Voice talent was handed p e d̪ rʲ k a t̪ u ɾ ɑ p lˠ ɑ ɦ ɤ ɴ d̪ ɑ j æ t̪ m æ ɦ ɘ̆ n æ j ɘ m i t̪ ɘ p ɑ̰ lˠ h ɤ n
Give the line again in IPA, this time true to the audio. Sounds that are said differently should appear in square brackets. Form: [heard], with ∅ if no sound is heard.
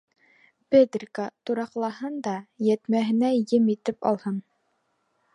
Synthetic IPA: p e d̪ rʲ k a t̪ u ɾ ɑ [q] lˠ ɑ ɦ ɤ [n] d̪ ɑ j æ t̪ m æ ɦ ɘ̆ n æ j ɘ m i t̪ ɘ p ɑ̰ lˠ h ɤ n